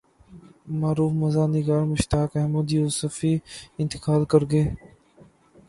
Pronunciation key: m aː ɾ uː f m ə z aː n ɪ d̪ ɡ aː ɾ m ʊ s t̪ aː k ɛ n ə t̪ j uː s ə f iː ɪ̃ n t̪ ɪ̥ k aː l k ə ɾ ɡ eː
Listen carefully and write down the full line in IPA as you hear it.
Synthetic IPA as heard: m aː ɾ uː f m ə z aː n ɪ ɡ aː ɾ m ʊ ʃ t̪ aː k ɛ m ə d̪ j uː s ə f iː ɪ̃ n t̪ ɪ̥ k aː l k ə ɾ ɡ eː